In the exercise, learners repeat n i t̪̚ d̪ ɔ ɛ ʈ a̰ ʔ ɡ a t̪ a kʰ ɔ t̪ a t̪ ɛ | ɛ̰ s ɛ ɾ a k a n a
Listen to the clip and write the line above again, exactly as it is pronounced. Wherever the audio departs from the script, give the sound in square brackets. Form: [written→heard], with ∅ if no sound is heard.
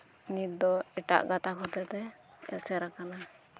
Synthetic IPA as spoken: n i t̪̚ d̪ ɔ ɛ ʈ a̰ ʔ ɡ a t̪ a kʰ ɔ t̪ [a→ɛ] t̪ ɛ | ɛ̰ s ɛ ɾ a k a n a